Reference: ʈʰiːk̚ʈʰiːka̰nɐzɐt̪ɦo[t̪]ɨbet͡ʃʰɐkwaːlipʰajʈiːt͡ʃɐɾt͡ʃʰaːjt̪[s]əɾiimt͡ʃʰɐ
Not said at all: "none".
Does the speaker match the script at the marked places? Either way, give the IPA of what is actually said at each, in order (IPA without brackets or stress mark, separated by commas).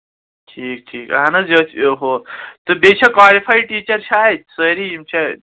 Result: t̪, s